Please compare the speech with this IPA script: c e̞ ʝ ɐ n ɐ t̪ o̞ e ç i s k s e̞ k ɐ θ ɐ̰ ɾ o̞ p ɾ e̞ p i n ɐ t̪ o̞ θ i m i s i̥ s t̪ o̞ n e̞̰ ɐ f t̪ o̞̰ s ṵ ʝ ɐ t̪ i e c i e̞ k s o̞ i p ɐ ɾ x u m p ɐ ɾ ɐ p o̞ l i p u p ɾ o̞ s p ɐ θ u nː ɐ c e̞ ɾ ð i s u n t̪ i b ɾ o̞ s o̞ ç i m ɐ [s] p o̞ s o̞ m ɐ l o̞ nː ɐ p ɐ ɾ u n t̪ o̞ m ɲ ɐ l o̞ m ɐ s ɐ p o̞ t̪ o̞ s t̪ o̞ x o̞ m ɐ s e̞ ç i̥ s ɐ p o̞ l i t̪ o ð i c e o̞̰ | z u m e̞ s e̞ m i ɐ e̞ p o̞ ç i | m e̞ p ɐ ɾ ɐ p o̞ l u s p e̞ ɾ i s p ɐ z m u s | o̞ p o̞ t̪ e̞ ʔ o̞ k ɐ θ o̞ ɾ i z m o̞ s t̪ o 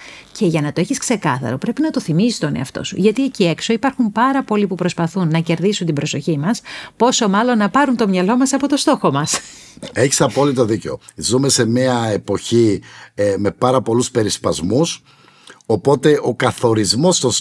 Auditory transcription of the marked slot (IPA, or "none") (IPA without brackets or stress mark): s